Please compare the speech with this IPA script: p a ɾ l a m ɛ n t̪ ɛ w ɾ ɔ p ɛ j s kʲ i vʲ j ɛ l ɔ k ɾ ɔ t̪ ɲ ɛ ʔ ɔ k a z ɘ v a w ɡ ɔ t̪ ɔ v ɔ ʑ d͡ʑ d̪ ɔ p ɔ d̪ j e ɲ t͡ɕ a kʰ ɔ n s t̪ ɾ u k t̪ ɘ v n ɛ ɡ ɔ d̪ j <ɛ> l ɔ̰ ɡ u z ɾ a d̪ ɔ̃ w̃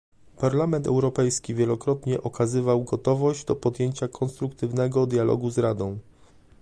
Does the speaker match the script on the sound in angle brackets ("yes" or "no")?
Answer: no